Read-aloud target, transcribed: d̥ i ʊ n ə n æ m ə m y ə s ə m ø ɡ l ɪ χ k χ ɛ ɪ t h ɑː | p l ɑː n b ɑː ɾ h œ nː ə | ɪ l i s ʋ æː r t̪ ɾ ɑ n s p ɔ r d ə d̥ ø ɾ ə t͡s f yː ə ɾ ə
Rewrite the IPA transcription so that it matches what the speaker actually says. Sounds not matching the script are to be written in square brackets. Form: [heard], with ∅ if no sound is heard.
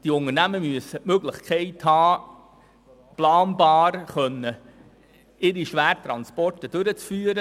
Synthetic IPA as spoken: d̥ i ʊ n ə n æ m ə m y ə s ə m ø ɡ l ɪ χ k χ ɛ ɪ t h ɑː | p l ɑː n b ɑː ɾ [χ] œ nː ə | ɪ [ɾ] i [ʃ] ʋ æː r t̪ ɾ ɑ n s p ɔ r [t] ə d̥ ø ɾ ə t͡s f yː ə ɾ ə